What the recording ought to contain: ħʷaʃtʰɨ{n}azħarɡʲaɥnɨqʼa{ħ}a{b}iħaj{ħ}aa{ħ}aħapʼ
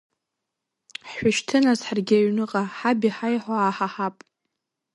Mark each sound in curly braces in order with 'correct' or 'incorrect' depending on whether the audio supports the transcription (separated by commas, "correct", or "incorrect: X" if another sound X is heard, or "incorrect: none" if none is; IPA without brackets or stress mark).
correct, correct, correct, correct, correct